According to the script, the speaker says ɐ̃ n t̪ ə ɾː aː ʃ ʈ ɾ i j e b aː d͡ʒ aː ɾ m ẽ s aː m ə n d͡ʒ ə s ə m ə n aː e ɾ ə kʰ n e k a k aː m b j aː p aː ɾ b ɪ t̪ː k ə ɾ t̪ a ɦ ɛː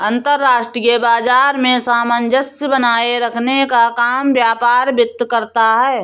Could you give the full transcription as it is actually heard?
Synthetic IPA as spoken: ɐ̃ n t̪ ə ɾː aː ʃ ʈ ɾ i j e b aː d͡ʒ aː ɾ m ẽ s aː m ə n d͡ʒ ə s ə b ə n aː e ɾ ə kʰ n e k a k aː m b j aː p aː ɾ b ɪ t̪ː k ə ɾ t̪ a ɦ ɛː